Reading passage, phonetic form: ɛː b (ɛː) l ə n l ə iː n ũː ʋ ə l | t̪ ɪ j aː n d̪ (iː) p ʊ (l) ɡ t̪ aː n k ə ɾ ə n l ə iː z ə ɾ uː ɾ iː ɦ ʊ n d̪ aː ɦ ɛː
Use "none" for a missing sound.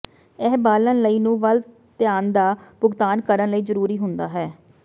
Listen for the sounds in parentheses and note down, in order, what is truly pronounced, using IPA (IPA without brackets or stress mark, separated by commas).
aː, aː, none